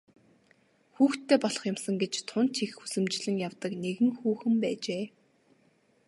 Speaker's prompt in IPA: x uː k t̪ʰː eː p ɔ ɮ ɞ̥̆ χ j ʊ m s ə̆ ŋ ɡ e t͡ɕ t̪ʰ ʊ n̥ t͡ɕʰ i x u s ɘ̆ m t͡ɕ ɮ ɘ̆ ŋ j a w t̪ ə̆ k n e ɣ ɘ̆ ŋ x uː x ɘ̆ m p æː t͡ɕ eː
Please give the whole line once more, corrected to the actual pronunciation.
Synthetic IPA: x uː x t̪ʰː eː p ɔ ɮ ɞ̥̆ χ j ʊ m s ə̆ ŋ ɡ e t͡ɕ t̪ʰ ʊ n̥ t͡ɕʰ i x u s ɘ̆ m t͡ɕ ɮ ɘ̆ ŋ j a w t̪ ə̆ k n e ɣ ɘ̆ ŋ x uː x ɘ̆ m p æː t͡ɕ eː